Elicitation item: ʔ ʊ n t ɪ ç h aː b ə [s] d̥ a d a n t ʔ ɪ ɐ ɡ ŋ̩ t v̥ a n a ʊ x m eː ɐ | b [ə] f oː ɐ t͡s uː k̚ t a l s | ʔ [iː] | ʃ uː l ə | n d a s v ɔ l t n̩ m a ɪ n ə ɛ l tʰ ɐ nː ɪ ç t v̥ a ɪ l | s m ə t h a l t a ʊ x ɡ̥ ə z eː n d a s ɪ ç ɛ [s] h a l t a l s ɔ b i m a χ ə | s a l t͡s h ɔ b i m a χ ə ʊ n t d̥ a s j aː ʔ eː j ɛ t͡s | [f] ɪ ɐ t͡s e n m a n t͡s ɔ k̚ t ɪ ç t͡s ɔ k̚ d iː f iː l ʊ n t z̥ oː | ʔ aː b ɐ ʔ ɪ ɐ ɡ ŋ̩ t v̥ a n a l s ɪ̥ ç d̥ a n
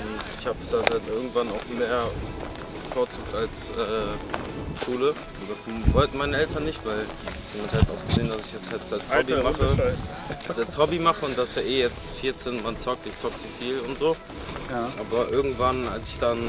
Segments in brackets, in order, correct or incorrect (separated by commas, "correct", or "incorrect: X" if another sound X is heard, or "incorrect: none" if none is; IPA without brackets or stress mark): correct, correct, incorrect: ɛː, correct, correct